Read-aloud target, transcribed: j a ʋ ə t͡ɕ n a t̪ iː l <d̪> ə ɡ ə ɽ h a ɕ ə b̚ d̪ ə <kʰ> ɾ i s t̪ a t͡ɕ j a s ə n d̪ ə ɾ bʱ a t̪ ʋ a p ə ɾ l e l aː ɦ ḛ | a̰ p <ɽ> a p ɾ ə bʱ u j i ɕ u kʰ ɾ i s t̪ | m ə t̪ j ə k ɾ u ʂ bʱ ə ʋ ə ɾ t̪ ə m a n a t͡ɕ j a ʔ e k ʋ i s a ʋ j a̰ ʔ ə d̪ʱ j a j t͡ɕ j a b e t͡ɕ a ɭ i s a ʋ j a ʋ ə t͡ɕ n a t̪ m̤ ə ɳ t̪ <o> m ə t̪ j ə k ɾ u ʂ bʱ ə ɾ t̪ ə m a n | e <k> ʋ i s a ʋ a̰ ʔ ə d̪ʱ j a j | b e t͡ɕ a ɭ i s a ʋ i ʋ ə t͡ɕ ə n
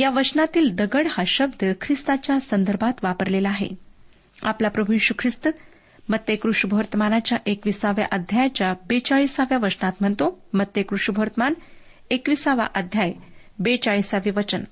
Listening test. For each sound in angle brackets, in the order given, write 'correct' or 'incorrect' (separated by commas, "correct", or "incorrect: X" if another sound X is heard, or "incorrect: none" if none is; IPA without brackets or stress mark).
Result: correct, correct, incorrect: l, correct, correct